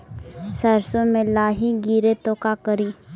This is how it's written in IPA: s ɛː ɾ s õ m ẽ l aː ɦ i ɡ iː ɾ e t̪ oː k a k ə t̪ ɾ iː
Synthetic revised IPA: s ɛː ɾ s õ m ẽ l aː ɦ i ɡ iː ɾ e t̪ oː k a k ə ɾ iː